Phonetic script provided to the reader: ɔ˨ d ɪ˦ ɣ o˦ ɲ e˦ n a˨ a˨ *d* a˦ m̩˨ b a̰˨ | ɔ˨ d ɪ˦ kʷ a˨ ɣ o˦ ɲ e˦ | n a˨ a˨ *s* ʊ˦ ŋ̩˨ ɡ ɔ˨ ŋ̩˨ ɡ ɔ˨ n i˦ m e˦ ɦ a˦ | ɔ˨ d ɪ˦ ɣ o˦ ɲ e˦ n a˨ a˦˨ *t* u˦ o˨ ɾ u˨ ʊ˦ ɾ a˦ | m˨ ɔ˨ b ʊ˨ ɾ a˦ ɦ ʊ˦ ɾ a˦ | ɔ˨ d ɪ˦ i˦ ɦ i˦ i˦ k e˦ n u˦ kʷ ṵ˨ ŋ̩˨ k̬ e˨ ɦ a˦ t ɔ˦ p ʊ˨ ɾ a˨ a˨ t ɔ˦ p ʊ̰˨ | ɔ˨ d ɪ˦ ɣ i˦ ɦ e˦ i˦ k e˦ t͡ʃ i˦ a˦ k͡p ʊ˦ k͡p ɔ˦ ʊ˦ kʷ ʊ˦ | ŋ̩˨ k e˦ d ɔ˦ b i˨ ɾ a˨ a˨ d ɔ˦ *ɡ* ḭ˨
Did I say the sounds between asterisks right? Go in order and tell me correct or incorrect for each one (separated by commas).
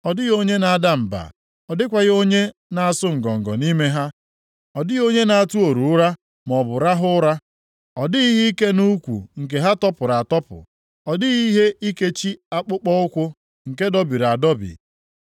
correct, correct, correct, incorrect